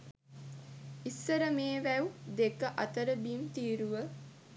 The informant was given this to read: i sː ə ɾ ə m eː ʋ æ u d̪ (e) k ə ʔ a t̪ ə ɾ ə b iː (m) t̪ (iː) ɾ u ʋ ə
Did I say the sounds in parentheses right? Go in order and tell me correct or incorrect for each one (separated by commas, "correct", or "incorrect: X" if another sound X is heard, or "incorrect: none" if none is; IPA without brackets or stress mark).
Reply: correct, correct, correct